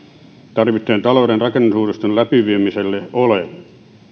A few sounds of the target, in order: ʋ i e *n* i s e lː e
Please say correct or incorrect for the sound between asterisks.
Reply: incorrect